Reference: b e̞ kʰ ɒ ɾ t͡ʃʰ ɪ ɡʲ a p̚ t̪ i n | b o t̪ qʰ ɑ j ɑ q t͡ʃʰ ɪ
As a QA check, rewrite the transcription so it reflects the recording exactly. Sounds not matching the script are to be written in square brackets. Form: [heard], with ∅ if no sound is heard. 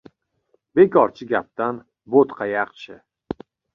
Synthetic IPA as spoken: b e̞ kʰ ɒ ɾ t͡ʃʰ ɪ ɡʲ a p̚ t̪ [a] n | b o t̪ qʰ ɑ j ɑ q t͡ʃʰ ɪ